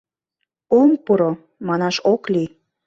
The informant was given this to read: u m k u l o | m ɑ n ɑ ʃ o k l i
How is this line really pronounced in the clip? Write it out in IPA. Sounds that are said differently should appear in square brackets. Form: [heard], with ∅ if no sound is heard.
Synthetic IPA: [o] m [p] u [ɾ] o | m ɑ n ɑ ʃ o k l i